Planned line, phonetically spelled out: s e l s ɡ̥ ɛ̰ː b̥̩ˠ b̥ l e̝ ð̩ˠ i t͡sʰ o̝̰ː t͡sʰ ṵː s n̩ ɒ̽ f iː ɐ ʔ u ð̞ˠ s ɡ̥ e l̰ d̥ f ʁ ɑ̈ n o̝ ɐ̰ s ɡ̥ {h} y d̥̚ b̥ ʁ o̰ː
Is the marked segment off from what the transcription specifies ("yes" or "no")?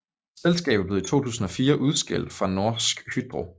no